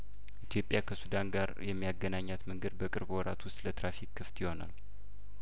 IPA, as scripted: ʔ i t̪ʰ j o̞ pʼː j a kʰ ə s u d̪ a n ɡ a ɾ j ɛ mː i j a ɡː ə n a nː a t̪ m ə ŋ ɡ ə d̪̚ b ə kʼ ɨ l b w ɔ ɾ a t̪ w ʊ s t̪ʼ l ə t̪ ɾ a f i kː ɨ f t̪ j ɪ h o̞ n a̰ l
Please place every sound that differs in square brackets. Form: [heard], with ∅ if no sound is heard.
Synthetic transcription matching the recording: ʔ i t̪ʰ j o̞ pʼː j a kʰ ə s u d̪ a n ɡ a ɾ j ɛ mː i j a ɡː ə n a [ɲː] a t̪ m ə ŋ ɡ ə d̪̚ b ə kʼ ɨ [ɾ] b w ɔ ɾ a t̪ w ʊ s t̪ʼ l ə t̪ ɾ a f i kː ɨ f t̪ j ɪ h o̞ n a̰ l